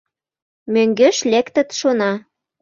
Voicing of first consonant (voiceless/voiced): voiced